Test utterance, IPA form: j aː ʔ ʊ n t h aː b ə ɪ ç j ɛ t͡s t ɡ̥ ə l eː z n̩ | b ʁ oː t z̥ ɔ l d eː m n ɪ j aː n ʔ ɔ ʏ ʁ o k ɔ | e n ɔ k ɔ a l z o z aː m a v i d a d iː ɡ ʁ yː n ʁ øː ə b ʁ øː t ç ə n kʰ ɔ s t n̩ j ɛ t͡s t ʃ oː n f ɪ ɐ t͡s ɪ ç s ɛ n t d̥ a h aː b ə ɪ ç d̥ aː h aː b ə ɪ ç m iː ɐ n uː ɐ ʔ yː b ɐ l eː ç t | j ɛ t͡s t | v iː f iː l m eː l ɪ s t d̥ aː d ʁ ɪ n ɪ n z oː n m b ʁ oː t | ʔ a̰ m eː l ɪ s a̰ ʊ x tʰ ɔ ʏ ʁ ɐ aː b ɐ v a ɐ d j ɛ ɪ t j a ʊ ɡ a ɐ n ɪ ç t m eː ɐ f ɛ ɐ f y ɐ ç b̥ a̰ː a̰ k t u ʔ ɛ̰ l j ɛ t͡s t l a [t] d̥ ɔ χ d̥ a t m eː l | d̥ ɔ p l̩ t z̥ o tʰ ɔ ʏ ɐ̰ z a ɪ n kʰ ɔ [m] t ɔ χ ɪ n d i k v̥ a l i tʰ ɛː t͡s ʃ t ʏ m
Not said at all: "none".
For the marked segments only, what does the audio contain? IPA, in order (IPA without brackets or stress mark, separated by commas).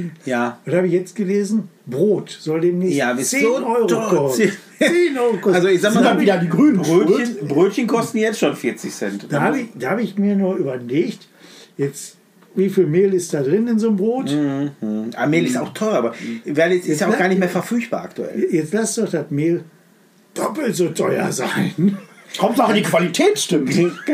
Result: s, m